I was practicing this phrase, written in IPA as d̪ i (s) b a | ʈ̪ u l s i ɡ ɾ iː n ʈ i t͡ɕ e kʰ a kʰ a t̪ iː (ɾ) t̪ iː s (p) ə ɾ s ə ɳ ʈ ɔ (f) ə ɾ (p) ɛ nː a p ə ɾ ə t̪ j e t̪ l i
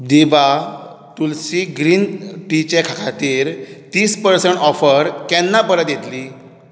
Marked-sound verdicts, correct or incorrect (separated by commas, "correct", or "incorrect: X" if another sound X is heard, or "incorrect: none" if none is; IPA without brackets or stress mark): incorrect: none, correct, correct, correct, incorrect: k